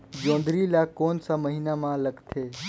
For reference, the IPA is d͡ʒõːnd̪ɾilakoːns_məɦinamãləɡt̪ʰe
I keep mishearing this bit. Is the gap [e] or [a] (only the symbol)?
a